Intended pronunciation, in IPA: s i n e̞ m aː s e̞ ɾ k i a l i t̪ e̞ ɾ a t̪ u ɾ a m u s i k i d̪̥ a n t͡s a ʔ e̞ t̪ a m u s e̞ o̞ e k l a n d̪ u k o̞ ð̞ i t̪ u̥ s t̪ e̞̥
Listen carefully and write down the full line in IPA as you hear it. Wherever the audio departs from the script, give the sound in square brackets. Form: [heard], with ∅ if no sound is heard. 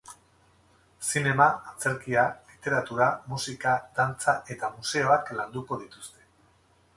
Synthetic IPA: s i n e̞ m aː [t͡s] e̞ ɾ k i a l i t̪ e̞ ɾ a t̪ u ɾ a m u s i k [a] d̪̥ a n t͡s a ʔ e̞ t̪ a m u s e̞ o̞ [a] k l a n d̪ u k o̞ ð̞ i t̪ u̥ s t̪ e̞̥